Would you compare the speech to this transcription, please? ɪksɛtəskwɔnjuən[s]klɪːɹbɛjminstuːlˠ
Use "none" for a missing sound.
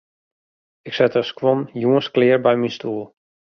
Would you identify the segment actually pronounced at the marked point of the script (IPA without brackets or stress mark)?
s